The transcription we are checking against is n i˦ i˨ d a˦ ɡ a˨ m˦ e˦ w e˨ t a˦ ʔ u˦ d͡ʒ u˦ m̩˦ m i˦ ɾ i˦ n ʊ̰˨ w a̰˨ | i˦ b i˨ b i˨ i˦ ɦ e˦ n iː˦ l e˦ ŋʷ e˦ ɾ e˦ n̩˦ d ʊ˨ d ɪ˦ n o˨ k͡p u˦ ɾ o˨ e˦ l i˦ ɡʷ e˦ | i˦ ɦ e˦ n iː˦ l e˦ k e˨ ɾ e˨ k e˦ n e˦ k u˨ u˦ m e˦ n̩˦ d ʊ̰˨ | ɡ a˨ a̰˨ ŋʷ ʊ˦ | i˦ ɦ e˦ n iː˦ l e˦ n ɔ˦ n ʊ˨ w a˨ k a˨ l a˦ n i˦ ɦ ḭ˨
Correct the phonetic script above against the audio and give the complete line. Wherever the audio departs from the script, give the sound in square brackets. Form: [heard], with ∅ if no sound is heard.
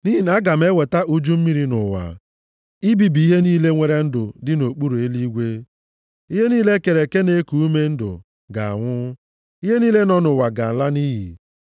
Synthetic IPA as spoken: n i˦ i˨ [n] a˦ ɡ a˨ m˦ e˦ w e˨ t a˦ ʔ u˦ d͡ʒ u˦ m̩˦ m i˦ ɾ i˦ n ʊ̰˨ w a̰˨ | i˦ b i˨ b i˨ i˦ ɦ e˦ n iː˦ l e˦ ŋʷ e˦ ɾ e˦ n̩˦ d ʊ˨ d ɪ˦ n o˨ k͡p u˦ ɾ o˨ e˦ l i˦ ɡʷ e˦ | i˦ ɦ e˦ n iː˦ l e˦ k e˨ ɾ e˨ k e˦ n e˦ k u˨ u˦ m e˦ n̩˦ d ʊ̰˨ | ɡ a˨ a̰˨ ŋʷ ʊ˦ | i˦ ɦ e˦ n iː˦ l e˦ n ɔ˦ n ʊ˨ w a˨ [ɡ] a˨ l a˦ n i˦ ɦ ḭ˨